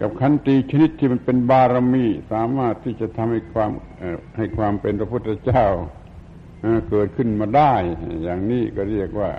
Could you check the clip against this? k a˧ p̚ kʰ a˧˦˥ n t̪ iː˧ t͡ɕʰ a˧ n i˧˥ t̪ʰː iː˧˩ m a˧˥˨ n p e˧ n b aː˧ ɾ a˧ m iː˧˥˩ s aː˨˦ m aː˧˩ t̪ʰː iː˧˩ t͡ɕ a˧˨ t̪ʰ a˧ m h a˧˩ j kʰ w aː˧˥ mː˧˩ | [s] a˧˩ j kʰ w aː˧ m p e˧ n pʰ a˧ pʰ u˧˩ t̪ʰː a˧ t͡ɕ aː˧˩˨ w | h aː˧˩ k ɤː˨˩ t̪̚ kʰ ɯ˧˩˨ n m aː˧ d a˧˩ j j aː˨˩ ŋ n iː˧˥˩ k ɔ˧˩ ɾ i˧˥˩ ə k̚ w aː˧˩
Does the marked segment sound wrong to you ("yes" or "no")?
yes